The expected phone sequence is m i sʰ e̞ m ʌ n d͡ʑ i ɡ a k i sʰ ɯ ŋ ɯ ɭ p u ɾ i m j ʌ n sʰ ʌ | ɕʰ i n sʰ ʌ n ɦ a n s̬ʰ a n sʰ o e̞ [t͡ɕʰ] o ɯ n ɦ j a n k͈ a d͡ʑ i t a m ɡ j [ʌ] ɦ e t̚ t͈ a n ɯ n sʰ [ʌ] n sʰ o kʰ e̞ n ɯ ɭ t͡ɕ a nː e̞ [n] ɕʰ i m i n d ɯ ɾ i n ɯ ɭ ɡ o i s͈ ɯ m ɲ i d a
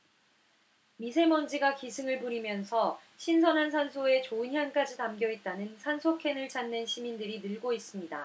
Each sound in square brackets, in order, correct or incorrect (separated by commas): incorrect, correct, incorrect, correct